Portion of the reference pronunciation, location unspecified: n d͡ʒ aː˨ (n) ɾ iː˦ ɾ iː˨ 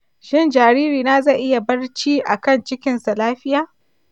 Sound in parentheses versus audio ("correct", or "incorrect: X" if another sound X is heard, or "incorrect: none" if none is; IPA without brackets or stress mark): incorrect: none